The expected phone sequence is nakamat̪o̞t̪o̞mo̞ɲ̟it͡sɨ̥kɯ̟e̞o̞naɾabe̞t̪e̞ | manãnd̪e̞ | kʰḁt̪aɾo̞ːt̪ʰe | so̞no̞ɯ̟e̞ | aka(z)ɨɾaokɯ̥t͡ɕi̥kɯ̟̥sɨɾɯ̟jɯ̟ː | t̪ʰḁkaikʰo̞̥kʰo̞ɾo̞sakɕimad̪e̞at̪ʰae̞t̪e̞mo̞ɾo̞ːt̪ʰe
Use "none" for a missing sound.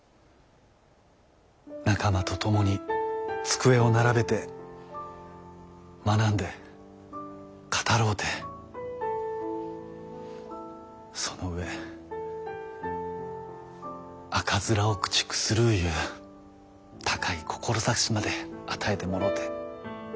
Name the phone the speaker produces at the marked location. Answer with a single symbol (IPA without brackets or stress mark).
z